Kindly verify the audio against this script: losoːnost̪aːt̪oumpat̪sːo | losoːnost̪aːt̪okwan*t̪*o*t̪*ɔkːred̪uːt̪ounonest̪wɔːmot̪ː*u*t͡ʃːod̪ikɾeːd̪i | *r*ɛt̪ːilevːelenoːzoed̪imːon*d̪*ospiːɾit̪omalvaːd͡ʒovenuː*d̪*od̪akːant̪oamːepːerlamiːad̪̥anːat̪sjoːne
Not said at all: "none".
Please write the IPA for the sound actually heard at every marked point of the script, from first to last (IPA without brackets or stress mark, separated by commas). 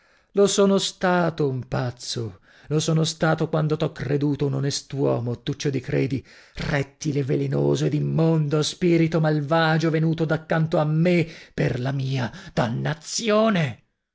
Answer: d̪, t̪, u, r, d̪, t̪